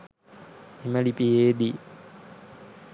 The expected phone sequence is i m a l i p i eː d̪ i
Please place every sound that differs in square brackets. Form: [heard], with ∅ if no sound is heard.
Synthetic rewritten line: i m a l i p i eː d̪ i